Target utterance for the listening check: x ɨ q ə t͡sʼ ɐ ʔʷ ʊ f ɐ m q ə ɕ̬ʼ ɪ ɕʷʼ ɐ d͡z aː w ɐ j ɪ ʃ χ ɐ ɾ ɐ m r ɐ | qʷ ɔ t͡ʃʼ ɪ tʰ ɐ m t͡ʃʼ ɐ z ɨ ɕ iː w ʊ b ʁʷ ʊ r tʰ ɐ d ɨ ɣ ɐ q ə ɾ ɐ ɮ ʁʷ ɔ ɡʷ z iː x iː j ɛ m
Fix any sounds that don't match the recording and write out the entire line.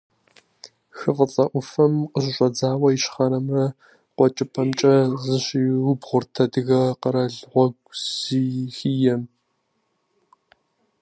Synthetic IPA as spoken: x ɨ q ə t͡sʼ ɐ ʔʷ ʊ f ɐ m q ə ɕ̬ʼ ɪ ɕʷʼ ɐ d͡z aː w ɐ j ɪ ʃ χ ɐ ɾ ɐ m r ɐ | qʷ ɔ t͡ʃʼ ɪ pʰ ɐ m t͡ʃʼ ɐ z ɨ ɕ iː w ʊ b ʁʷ ʊ r tʰ ɐ d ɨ ɣ ɐ q ə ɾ ɐ ɮ ʁʷ ɔ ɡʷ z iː x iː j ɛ m